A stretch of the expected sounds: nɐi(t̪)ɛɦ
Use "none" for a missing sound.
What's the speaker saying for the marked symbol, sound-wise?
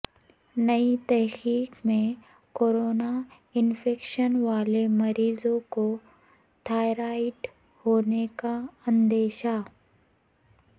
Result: t̪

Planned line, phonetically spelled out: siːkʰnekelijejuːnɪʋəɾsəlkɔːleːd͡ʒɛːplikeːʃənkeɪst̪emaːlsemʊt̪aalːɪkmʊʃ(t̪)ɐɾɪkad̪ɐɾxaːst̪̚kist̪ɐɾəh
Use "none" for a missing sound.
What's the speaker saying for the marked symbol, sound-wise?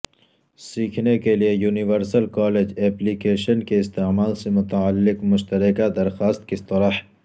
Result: t̪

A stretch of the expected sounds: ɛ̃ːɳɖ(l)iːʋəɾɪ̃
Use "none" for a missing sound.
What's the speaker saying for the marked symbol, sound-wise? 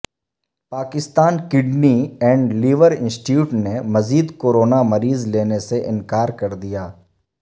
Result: l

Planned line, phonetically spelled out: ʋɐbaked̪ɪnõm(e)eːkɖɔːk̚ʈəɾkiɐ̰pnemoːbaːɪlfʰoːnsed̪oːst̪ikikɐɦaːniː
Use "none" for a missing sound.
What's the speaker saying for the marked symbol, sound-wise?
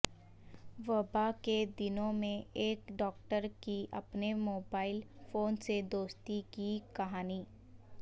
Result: ẽ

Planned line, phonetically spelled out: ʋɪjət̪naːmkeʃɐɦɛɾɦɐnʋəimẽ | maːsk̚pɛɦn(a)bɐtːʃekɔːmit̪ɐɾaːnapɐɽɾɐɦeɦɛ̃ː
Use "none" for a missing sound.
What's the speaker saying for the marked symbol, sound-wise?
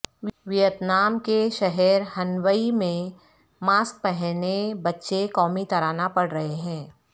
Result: e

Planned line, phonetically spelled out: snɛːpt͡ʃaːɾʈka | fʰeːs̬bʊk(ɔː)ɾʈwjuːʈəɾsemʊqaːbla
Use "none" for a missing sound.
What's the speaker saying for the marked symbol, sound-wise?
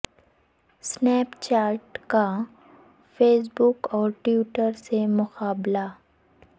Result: ɔː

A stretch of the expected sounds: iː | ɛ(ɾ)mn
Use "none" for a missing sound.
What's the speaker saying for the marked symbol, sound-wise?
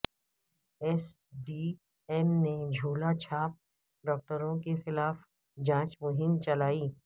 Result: none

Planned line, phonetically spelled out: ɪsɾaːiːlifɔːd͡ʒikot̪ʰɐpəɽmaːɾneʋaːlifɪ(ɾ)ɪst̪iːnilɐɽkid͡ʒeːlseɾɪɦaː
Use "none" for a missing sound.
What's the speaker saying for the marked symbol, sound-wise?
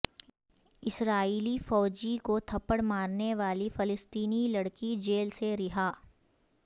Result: l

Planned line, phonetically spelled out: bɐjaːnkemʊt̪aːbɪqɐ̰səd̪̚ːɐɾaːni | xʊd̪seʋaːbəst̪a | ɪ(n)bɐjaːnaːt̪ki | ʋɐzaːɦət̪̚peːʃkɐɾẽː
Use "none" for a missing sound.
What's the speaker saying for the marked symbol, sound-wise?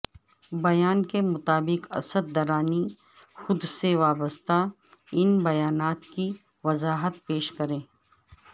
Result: n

